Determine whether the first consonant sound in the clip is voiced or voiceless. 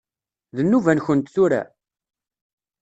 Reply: voiced